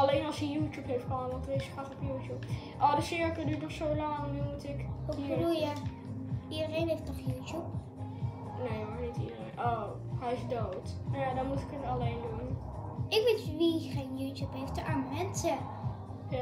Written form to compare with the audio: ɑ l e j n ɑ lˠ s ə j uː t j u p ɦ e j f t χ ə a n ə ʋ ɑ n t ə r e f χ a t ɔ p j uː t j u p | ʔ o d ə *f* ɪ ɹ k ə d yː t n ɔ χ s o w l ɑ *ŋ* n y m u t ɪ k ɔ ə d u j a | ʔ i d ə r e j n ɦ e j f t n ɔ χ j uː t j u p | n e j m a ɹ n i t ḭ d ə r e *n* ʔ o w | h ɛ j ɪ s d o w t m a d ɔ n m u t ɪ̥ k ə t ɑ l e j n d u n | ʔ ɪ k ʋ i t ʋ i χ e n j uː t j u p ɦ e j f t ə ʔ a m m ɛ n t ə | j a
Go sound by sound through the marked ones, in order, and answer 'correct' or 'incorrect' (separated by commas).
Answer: incorrect, correct, correct